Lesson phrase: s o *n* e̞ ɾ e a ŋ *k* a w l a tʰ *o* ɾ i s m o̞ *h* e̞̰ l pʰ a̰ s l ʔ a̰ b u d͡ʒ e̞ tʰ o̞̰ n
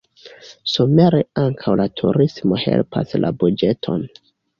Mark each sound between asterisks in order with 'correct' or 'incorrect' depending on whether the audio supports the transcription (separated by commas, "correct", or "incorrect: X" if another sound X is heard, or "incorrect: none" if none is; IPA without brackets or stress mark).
incorrect: m, incorrect: kʰ, incorrect: u, correct